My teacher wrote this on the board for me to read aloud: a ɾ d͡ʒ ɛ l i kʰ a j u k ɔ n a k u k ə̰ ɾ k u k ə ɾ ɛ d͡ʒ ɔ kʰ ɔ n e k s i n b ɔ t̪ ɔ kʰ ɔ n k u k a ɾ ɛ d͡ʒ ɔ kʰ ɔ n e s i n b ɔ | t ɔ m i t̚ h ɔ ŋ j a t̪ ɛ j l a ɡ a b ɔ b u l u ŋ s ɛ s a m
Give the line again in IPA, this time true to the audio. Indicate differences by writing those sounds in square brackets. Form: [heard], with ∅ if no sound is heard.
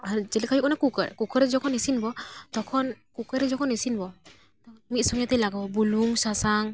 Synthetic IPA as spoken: a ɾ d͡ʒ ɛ l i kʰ a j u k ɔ n a k u k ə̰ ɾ k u k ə ɾ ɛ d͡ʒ ɔ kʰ ɔ n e [∅] s i n b ɔ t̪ ɔ kʰ ɔ n k u k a ɾ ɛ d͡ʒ ɔ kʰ ɔ n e s i n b ɔ | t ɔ m i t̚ [s] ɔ ŋ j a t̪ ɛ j l a ɡ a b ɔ b u l u ŋ s [a] s a [ŋ]